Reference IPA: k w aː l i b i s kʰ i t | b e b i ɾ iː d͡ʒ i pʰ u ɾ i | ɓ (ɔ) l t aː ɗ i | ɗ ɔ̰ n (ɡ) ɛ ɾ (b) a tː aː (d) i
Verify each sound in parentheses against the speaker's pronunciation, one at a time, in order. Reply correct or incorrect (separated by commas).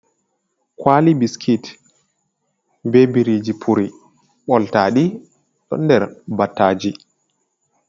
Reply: correct, incorrect, correct, incorrect